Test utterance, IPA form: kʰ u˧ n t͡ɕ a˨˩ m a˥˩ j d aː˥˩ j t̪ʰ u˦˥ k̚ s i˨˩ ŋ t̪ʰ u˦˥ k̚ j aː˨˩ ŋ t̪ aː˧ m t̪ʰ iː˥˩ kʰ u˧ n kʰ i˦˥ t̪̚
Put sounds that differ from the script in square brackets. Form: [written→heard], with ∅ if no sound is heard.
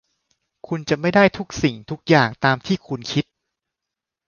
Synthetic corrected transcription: kʰ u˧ n t͡ɕ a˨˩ m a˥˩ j d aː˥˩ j t̪ʰ u˦˥ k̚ s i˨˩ ŋ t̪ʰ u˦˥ k̚ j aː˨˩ ŋ t̪ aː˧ m t̪ʰ iː˥˩ kʰ u˧ n kʰ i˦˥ t̪̚